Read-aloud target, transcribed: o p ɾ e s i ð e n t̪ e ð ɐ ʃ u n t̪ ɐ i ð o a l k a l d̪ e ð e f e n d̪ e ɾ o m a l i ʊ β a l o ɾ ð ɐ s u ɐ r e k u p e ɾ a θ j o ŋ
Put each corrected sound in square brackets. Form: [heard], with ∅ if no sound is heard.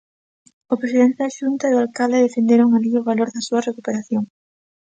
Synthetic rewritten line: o p ɾ e s i ð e n t̪ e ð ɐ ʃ u n t̪ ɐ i ð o a l k a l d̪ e ð e f e n d̪ e ɾ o [ŋ] a l i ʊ β a l o ɾ ð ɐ s u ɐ r e k u p e ɾ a θ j o ŋ